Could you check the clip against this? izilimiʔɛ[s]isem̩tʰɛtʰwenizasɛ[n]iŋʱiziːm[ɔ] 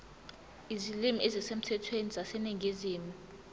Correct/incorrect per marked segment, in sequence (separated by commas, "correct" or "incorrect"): incorrect, correct, incorrect